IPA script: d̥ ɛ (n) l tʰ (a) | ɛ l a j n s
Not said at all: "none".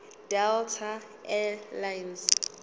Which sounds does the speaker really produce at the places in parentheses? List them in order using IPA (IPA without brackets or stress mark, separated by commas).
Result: none, a